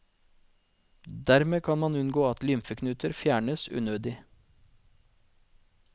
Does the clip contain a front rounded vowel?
yes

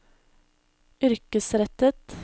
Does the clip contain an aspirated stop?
no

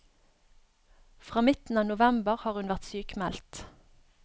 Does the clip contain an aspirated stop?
no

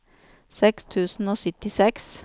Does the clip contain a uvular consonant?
no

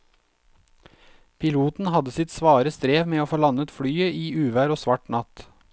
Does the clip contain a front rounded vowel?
yes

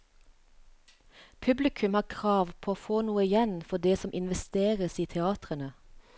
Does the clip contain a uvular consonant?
yes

